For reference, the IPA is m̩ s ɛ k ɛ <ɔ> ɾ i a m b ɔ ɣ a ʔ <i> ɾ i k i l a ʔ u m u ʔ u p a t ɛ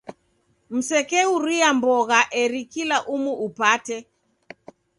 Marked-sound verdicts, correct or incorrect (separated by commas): incorrect, incorrect